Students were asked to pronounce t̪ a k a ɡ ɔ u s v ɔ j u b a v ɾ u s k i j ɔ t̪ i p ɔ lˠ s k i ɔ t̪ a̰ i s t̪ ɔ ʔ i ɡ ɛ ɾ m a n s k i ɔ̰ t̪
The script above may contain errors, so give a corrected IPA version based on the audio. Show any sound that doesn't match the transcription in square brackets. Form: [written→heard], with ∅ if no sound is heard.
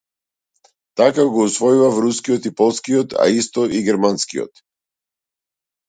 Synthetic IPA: t̪ a k a ɡ ɔ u s v ɔ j u [b→v] a v ɾ u s k i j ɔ t̪ i p ɔ lˠ s k i ɔ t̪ a̰ i s t̪ ɔ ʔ i ɡ ɛ ɾ m a n s k i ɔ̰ t̪